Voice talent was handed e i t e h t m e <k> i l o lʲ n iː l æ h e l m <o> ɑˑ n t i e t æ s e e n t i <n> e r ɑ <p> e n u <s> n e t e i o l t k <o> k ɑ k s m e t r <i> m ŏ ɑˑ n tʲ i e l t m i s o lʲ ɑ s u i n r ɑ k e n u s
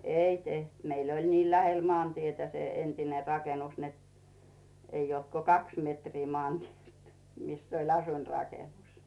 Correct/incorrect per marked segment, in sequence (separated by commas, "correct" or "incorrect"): incorrect, correct, correct, incorrect, correct, correct, incorrect